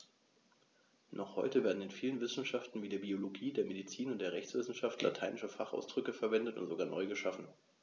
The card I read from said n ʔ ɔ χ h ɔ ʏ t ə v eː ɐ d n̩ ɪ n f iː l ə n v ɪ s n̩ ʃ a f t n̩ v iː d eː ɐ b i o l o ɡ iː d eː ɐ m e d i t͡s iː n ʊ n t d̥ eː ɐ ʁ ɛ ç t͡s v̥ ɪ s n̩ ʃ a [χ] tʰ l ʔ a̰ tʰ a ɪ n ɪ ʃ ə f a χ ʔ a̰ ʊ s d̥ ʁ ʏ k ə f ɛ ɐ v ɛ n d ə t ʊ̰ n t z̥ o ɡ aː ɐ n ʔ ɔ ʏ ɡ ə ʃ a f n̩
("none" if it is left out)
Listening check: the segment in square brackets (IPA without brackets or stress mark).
f